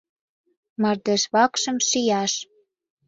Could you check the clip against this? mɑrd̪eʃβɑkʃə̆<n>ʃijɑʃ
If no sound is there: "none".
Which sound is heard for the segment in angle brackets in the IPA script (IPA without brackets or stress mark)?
m